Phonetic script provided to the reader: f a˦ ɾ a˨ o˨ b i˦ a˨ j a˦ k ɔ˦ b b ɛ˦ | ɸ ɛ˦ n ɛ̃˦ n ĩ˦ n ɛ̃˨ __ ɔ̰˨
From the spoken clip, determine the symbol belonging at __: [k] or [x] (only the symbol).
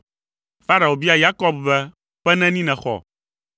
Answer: x